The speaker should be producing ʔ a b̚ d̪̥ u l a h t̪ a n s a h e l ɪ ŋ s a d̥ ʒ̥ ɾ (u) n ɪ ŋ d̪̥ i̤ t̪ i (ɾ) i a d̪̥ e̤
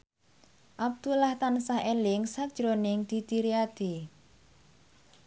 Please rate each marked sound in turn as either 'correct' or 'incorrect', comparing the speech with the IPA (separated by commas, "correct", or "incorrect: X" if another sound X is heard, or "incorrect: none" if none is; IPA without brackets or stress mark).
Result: incorrect: o, correct